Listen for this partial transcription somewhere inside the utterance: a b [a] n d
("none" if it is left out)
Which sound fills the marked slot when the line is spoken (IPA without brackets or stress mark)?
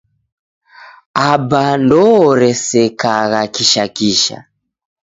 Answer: a